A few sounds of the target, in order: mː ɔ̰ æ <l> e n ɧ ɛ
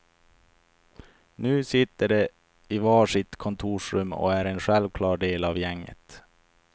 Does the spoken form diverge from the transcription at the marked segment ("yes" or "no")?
yes